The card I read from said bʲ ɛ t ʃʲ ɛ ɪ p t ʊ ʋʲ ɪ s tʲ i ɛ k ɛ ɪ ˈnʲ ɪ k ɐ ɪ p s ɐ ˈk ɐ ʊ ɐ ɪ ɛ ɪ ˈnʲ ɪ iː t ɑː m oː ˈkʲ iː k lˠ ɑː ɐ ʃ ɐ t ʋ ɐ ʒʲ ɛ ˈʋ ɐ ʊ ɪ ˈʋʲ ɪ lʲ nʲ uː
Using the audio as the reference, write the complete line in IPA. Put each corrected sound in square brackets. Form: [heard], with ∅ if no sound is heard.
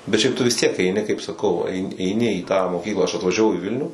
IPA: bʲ ɛ t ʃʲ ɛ ɪ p t ʊ ʋʲ ɪ s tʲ i ɛ k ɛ ɪ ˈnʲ ɪ k ɐ ɪ p s ɐ ˈk ɐ ʊ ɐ ɪ ɛ ɪ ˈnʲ ɪ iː t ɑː m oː ˈkʲ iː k lˠ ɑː ɐ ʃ ɐ t ʋ ɐ ʒʲ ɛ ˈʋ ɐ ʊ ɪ ˈʋʲ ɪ lʲ nʲ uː